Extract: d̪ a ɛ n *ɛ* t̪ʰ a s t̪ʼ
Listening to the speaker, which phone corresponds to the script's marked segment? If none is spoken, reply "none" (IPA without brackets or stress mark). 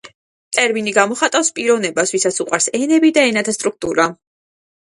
a